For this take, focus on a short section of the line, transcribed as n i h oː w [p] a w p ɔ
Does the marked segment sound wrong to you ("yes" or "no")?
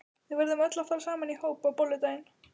no